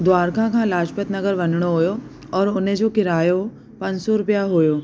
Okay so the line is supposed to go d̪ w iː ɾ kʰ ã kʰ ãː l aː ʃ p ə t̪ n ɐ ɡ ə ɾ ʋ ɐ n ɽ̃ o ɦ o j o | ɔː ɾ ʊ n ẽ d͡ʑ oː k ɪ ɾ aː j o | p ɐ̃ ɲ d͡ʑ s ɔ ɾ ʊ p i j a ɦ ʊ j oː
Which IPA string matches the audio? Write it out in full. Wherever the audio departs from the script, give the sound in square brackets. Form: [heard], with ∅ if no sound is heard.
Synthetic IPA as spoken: d̪ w [aː] ɾ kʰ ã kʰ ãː l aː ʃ p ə t̪ n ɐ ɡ ə ɾ ʋ ɐ n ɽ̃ o ɦ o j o | ɔː ɾ ʊ n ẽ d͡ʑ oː k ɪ ɾ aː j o | p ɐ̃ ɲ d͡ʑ s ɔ ɾ ʊ p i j a ɦ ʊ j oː

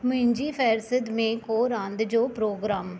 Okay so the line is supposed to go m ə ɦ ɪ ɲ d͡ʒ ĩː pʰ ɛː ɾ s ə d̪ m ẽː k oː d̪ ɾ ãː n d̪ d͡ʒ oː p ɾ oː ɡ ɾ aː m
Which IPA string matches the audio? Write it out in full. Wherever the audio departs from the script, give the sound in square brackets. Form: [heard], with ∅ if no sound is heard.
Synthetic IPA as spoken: m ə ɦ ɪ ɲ d͡ʒ [iː] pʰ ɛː ɾ s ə d̪ m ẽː k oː [∅] ɾ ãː n d̪ d͡ʒ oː p ɾ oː ɡ ɾ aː m

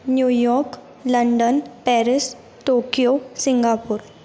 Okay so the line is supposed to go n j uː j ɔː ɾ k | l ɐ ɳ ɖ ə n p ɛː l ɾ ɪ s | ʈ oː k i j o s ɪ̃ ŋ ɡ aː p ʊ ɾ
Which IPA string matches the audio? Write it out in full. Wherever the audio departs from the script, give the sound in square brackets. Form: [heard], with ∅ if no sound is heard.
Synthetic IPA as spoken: n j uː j ɔː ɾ k | l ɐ ɳ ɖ ə n p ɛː [∅] ɾ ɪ s | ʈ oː k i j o s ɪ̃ ŋ ɡ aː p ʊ ɾ

